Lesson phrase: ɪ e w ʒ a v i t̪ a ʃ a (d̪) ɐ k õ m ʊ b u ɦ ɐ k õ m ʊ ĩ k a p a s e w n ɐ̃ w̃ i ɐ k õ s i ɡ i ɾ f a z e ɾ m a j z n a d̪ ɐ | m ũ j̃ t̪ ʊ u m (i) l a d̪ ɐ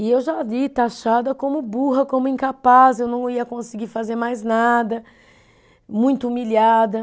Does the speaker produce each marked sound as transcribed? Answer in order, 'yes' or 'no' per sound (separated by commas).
yes, yes